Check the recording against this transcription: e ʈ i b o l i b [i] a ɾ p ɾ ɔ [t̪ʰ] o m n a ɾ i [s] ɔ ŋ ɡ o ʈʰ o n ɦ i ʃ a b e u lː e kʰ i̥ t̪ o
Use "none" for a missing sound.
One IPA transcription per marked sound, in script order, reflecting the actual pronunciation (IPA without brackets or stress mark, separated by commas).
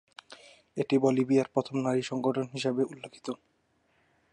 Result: i, t̪ʰ, ʃ